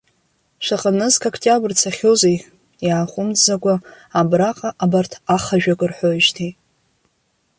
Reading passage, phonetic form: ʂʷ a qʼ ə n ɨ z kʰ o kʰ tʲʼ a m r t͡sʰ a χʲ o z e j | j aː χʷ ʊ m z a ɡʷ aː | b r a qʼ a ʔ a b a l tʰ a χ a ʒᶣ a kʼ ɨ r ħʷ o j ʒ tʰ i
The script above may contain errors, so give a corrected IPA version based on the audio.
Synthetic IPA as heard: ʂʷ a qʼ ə n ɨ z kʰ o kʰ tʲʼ a b r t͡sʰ a χʲ o z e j | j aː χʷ ʊ m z a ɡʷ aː | b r a qʼ a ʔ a b a r tʰ a χ a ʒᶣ a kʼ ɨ r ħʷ o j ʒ tʰ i